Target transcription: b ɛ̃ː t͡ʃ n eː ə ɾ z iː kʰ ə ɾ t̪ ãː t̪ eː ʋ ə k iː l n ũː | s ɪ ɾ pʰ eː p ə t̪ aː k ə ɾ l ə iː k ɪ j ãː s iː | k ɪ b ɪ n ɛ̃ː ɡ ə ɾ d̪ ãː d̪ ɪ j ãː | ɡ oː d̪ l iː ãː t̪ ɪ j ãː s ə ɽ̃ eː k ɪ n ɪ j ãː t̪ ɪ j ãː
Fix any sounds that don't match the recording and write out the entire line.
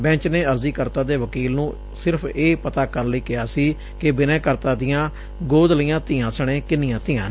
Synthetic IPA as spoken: b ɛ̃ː t͡ʃ n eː ə ɾ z iː k ə ɾ t̪ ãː d̪ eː ʋ ə k iː l n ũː | s ɪ ɾ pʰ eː p ə t̪ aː k ə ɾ l ə iː k ɪ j aː s iː | k ɪ b ɪ n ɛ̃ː k ə ɾ t̪ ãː d̪ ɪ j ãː | ɡ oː d̪ l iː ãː t̪ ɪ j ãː s ə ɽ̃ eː k ɪ n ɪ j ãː t̪ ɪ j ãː